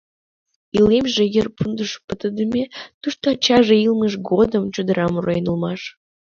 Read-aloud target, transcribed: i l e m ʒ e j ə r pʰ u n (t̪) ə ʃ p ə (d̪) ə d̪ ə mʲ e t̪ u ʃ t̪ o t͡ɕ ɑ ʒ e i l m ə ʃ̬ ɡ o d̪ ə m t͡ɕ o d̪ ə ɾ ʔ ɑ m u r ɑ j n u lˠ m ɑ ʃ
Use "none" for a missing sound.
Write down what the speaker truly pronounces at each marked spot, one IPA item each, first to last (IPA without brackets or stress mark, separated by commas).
d̪, t̪